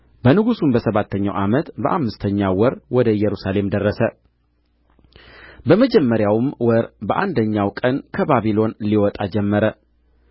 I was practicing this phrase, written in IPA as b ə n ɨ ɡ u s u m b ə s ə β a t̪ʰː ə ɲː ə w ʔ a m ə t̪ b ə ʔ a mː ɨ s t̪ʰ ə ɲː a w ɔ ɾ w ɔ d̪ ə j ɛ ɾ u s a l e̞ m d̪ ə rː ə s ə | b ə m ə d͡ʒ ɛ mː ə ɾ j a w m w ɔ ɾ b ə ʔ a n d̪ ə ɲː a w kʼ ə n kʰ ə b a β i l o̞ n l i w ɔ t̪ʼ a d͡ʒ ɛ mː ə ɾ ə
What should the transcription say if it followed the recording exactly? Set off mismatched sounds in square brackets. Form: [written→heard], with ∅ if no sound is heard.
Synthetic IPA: b ə n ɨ ɡ u s u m b ə s ə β a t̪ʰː ə ɲː [ə→a] w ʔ a m ə t̪ b ə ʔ a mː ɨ s t̪ʰ ə ɲː a w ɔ ɾ w ɔ d̪ ə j ɛ ɾ u s a l e̞ m d̪ ə rː ə s ə | b ə m ə d͡ʒ ɛ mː ə ɾ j a w m w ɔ ɾ b ə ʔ a n d̪ ə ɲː a w kʼ ə n kʰ ə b a β i l o̞ n l i w ɔ t̪ʼ a d͡ʒ ɛ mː ə ɾ ə